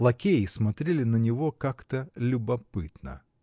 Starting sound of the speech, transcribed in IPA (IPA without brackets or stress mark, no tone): lˠ